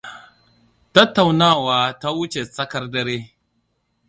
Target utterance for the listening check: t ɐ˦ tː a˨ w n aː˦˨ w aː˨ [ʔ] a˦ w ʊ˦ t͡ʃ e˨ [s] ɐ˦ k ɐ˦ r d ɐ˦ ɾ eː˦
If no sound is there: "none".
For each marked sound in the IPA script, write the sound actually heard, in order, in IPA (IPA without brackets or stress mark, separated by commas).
t, s